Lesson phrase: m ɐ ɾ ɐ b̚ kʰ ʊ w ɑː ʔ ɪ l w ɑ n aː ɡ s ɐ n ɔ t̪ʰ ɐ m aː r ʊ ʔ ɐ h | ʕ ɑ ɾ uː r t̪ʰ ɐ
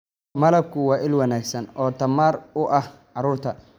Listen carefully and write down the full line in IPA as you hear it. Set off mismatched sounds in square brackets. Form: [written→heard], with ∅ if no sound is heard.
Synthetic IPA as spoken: m ɐ [ɾ→l] ɐ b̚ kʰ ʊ w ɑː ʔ ɪ l w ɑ n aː ɡ s ɐ n [ɔ→ɔː] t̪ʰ ɐ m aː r ʊ ʔ ɐ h | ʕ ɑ ɾ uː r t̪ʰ ɐ